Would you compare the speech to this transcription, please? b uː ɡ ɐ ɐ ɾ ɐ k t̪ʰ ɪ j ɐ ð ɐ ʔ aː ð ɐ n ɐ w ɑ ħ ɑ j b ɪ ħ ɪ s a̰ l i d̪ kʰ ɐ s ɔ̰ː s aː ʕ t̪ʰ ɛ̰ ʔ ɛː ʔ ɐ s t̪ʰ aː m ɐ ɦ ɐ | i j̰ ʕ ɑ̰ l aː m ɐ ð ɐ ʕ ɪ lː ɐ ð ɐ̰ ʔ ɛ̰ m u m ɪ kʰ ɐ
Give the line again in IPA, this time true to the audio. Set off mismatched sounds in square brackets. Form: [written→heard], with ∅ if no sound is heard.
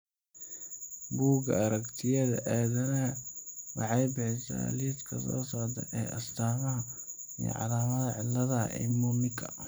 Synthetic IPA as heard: b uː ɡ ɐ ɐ ɾ ɐ k t̪ʰ ɪ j ɐ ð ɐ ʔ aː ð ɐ n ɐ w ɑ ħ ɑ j b ɪ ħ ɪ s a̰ l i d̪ kʰ ɐ s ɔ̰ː s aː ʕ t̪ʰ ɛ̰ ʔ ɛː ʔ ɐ s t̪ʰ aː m ɐ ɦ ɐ | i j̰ ʕ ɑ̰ l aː m ɐ ð ɐ ʕ ɪ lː ɐ ð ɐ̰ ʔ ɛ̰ m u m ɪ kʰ ɐ